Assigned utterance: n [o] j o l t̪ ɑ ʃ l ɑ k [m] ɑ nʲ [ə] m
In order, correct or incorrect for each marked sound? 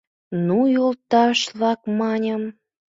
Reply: incorrect: u, correct, correct

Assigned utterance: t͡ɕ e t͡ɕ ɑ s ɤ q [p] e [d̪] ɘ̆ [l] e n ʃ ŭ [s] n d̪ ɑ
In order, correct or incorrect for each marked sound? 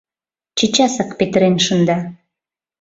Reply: correct, incorrect: t̪, incorrect: ɾ, incorrect: none

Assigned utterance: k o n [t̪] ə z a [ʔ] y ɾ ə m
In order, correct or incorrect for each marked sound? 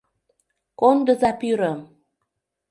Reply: incorrect: d̪, incorrect: p

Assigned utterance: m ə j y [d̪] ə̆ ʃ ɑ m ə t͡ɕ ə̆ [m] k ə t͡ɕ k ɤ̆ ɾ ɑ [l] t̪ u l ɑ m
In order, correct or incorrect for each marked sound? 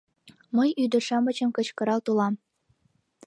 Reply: correct, correct, correct

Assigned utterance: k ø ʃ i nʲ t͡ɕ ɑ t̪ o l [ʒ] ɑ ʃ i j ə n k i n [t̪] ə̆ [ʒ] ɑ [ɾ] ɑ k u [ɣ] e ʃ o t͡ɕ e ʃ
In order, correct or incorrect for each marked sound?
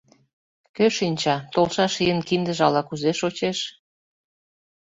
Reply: incorrect: ʃ, incorrect: d̪, correct, incorrect: l, incorrect: z

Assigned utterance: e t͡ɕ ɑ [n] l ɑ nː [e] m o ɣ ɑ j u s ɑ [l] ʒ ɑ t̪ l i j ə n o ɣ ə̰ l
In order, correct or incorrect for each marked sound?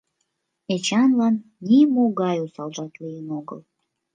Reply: correct, incorrect: i, correct

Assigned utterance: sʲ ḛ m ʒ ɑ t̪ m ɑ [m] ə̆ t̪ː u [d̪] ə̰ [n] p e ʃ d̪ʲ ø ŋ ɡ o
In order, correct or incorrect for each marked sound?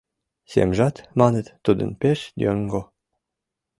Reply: incorrect: n, correct, correct

